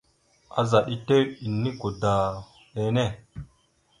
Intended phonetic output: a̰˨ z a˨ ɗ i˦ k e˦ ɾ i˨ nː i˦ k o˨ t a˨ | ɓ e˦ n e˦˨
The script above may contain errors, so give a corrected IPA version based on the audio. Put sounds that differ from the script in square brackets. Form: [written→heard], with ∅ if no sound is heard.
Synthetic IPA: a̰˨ z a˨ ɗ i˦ [k→t] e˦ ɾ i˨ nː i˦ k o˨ [t→d] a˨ | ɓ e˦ n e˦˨